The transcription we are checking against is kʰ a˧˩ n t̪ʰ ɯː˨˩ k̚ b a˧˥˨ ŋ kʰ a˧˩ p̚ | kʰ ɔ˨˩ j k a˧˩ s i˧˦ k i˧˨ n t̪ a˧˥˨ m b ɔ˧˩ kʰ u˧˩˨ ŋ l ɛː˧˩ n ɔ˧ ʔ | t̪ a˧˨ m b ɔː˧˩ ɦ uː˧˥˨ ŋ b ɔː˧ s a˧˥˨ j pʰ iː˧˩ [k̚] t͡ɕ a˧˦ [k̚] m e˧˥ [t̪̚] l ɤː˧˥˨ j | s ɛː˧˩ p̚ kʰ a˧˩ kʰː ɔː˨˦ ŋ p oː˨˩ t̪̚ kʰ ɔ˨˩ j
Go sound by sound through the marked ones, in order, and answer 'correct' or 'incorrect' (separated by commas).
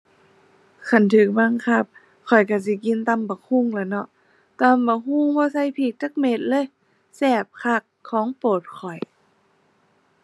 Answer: correct, correct, correct